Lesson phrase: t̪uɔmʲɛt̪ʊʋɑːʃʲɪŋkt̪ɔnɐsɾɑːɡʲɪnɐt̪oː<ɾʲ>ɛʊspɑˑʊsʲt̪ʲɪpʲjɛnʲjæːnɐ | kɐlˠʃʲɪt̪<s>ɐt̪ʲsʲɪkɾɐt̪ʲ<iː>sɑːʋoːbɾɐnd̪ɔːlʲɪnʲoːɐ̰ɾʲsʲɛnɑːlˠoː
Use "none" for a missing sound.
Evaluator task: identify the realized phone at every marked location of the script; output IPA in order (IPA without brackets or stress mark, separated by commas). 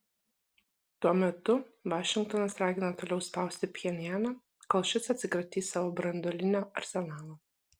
lʲ, s, iː